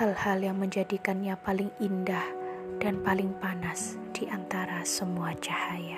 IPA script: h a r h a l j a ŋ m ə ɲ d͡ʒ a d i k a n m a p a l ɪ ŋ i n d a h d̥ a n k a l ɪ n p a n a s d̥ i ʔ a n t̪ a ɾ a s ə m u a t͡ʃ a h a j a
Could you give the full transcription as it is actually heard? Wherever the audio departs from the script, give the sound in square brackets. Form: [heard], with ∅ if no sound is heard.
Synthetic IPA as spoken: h a [l] h a l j a ŋ m ə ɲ d͡ʒ a d i k a n [ɲ] a p a l ɪ ŋ i n d a h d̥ a n [p] a l ɪ [ŋ] p a n a s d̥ i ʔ a n t̪ a ɾ a s ə m u a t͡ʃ a h a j a